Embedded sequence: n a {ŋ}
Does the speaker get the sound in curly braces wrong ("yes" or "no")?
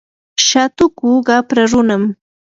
yes